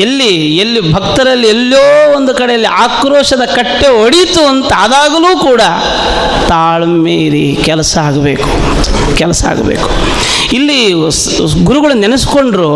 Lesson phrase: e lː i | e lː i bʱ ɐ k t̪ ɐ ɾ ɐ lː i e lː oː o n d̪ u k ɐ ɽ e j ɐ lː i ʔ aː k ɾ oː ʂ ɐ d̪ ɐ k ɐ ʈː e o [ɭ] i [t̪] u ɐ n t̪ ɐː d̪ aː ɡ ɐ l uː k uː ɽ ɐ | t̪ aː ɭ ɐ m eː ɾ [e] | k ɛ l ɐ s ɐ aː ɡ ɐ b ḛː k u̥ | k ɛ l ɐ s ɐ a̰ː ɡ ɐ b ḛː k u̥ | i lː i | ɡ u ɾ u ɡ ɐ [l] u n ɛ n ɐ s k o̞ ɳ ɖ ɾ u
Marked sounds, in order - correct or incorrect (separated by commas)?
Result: incorrect, correct, incorrect, incorrect